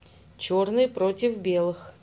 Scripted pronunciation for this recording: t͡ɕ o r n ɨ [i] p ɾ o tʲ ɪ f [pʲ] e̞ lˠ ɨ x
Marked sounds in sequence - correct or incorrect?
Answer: incorrect: j, incorrect: bʲ

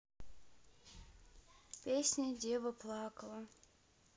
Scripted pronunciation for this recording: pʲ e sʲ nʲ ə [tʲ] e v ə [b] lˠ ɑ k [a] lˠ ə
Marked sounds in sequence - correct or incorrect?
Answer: incorrect: dʲ, incorrect: p, incorrect: ə

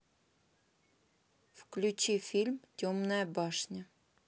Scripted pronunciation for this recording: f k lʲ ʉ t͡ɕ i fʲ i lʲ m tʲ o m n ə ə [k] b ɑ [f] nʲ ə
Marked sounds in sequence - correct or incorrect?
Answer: incorrect: none, incorrect: ʂ

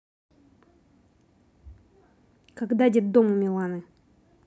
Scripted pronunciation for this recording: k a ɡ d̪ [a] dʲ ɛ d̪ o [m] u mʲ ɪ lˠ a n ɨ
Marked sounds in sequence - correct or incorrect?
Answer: correct, correct

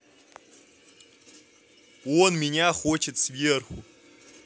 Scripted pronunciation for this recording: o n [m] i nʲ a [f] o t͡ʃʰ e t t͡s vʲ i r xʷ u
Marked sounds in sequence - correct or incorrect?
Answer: correct, incorrect: χ

